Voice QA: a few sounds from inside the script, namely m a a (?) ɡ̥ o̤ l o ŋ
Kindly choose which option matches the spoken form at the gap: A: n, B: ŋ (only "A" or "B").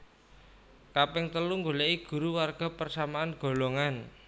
A